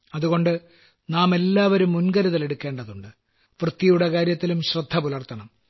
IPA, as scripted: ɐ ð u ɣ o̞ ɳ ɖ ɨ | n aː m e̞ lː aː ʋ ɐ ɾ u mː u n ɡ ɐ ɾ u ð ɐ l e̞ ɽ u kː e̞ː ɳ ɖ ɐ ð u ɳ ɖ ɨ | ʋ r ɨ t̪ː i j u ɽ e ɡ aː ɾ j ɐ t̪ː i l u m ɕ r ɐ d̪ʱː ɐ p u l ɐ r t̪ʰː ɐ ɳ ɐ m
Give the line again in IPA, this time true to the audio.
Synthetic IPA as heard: ɐ ð u ɣ o̞ ɳ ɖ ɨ | n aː m e̞ lː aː ʋ ɐ ɾ u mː u n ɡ ɐ ɾ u ð ɐ l e̞ ɽ u kː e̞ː ɳ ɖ ɐ ð u ɳ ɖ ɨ | ʋ r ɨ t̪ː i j u ɽ e k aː ɾ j ɐ t̪ː i l u m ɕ r ɐ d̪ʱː ɐ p u l ɐ r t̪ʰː ɐ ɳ ɐ m